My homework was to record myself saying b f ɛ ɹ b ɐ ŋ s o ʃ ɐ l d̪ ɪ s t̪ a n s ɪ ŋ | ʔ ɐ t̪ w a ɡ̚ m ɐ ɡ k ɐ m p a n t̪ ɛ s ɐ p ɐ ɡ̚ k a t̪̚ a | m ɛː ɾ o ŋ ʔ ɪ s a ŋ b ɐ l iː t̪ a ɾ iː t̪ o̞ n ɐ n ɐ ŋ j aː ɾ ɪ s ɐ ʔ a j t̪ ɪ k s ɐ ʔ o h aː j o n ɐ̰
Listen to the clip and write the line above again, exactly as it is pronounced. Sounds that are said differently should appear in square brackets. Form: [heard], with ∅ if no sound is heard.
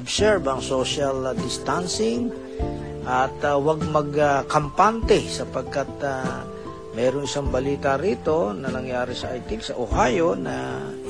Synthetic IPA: b [s] ɛ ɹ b ɐ ŋ s o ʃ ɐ l d̪ ɪ s t̪ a n s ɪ ŋ | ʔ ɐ t̪ w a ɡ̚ m ɐ ɡ k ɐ m p a n t̪ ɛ s ɐ p ɐ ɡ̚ k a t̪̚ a | m ɛː ɾ o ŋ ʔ ɪ s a ŋ b ɐ l iː t̪ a ɾ iː t̪ o̞ n ɐ n ɐ ŋ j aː ɾ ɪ s ɐ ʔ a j t̪ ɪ k s ɐ ʔ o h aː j o n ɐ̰